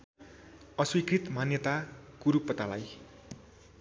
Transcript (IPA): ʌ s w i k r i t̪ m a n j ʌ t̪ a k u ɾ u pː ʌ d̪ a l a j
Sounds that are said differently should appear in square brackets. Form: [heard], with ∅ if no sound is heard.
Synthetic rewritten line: ʌ s w i k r i t̪ m a n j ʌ t̪ a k u ɾ u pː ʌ [t̪] a l a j

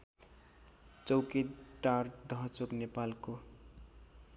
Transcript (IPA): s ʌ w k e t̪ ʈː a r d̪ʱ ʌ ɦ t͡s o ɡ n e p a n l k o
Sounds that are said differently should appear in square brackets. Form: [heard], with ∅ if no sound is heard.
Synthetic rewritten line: [t͡s] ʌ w k e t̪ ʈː a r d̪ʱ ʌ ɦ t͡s o [k] n e p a [∅] l k o

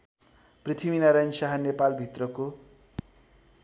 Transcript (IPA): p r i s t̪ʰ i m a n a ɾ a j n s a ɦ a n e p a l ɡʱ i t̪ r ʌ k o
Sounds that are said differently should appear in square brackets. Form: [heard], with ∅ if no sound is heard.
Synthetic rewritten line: p r i [∅] t̪ʰ i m [i] n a ɾ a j n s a ɦ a n e p a l [bʱ] i t̪ r ʌ k o

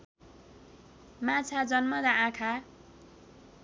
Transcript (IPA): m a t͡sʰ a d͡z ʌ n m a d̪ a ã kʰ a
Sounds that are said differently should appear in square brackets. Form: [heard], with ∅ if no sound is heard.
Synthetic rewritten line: m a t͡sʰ a d͡z ʌ n m [ʌ] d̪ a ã kʰ a

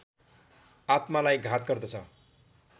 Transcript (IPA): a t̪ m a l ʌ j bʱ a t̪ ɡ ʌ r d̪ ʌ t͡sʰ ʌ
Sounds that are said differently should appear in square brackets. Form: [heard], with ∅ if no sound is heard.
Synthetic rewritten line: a t̪ m a l [a] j [ɡʱ] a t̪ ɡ ʌ r d̪ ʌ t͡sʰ ʌ

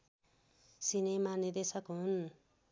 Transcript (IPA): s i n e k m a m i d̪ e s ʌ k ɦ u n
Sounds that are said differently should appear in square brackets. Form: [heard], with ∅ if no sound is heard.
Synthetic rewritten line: s i n e [∅] m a [n] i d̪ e s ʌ k ɦ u n

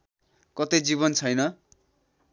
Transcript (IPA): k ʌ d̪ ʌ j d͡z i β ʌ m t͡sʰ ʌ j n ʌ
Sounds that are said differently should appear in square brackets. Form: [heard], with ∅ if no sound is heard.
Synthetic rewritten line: k ʌ [t̪] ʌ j d͡z i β ʌ [n] t͡sʰ ʌ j n ʌ

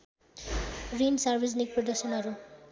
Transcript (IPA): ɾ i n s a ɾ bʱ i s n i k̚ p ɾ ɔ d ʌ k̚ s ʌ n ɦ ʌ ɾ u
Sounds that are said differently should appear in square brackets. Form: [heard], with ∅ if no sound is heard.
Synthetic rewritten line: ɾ i n s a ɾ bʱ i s n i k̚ p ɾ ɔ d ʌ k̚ s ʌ n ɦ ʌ ɾ u

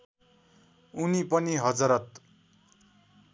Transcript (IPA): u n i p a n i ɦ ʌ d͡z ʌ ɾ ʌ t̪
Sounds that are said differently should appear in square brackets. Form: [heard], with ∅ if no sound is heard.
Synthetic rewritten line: u n i p [ʌ] n i ɦ ʌ d͡z ʌ ɾ ʌ t̪

